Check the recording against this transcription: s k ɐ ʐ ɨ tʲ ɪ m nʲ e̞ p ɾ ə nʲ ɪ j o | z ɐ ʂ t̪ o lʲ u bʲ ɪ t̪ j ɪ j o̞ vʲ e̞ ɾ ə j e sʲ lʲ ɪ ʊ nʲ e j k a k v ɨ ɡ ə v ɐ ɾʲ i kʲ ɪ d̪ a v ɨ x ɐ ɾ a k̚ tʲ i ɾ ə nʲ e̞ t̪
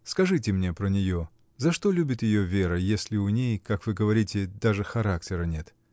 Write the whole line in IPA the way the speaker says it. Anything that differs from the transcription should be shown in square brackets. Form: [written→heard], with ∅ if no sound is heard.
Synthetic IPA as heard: s k ɐ ʐ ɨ tʲ ɪ m nʲ e̞ p ɾ ə nʲ ɪ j o | z ɐ ʂ t̪ o lʲ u bʲ ɪ t̪ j ɪ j o̞ vʲ e̞ ɾ ə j e sʲ lʲ ɪ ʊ nʲ e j k a k v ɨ ɡ ə v ɐ ɾʲ i [kʲ→tʲ] ɪ d̪ a [v→ʐ] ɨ x ɐ ɾ a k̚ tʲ [i→ɪ] ɾ ə nʲ e̞ t̪